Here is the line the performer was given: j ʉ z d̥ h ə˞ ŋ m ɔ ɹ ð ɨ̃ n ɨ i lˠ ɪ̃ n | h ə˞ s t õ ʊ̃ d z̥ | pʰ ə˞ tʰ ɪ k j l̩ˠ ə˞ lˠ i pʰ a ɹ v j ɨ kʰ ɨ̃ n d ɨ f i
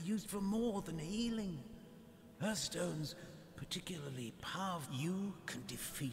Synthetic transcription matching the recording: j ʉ z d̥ f ə˞ m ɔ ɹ ð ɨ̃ n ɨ i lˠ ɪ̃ ŋ | h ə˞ s t õ ʊ̃ n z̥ | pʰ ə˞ tʰ ɪ k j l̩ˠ ə˞ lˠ i pʰ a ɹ v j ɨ kʰ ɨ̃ n d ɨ f i